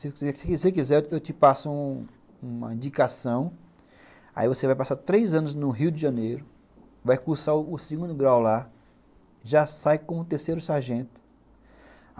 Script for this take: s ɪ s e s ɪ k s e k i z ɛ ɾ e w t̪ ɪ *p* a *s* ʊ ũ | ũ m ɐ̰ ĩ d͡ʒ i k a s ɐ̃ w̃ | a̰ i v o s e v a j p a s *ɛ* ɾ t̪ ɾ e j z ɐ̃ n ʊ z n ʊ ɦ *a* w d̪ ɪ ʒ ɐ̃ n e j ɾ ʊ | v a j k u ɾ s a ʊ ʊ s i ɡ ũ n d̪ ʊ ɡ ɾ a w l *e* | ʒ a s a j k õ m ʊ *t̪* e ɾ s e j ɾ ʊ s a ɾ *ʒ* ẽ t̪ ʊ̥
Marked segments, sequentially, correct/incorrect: correct, correct, incorrect, incorrect, incorrect, correct, correct

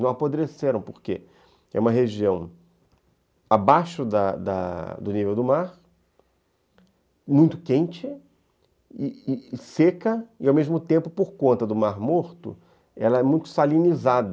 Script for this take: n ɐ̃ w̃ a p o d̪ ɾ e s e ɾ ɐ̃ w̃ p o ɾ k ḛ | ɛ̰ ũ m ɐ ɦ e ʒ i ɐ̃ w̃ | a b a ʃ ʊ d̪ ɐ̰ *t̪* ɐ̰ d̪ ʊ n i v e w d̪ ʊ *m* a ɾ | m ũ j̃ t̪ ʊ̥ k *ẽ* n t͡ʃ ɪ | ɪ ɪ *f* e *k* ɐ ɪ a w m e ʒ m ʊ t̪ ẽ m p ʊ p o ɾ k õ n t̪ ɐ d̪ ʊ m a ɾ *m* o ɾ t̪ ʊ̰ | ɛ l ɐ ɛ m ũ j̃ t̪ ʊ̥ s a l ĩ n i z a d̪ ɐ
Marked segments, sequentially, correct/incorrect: incorrect, correct, correct, incorrect, correct, correct

